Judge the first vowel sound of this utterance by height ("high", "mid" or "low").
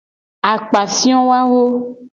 low